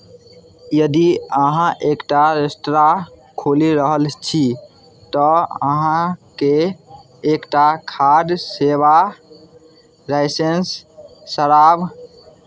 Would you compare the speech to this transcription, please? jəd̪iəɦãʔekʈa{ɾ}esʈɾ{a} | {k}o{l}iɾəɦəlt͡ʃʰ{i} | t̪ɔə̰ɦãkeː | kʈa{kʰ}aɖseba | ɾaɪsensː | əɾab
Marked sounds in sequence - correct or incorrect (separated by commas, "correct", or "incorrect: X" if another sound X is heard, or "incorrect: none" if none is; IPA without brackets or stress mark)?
correct, correct, incorrect: kʰ, correct, correct, correct